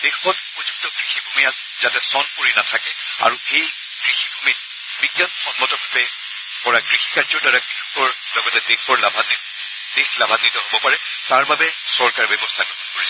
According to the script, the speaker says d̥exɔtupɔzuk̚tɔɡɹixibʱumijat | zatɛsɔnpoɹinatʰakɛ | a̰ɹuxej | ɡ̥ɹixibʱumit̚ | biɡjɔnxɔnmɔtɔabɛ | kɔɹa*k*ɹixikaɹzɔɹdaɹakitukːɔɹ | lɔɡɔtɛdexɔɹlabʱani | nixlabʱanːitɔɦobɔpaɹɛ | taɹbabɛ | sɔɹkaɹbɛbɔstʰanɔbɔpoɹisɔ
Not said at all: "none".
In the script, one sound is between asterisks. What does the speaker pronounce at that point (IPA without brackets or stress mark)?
ɡ